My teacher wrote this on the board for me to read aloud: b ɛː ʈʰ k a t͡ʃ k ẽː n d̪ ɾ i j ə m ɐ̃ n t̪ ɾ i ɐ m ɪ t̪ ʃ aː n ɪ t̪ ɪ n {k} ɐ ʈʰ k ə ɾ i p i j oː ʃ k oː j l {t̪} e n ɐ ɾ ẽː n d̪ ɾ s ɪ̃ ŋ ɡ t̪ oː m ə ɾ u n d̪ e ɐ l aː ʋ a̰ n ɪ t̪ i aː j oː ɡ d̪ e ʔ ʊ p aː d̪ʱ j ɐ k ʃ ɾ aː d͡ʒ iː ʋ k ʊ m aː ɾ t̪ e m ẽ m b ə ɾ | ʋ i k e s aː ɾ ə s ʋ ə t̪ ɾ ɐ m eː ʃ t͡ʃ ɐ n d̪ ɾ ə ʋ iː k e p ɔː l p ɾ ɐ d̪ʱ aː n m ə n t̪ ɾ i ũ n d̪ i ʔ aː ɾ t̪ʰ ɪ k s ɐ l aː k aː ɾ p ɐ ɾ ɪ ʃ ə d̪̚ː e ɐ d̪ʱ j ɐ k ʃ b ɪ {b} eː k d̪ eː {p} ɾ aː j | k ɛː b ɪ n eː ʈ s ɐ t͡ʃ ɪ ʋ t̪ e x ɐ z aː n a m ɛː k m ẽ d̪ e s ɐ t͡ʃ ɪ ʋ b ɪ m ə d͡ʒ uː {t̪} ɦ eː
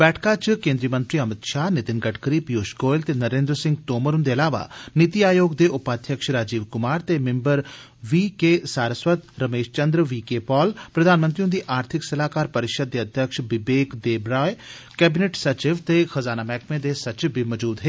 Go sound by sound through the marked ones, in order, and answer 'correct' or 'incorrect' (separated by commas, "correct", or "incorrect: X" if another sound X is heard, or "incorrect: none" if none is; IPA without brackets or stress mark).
incorrect: ɡ, correct, correct, incorrect: b, incorrect: d̪